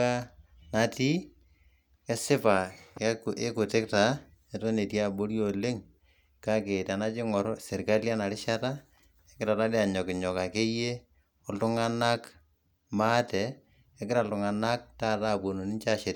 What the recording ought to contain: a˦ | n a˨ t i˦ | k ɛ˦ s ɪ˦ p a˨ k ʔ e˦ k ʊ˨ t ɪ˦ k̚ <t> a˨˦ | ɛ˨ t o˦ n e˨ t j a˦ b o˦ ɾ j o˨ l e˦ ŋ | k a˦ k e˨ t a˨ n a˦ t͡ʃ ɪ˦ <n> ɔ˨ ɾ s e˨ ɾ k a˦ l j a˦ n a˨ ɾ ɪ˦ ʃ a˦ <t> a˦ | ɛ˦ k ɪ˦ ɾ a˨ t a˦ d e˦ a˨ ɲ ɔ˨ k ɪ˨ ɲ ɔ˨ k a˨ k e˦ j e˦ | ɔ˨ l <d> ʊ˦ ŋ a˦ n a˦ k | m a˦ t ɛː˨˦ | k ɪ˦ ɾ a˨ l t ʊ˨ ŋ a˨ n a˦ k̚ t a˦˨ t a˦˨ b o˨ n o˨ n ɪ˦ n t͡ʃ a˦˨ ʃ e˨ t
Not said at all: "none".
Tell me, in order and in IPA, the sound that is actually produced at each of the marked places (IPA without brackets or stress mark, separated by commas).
t, ŋ, t, t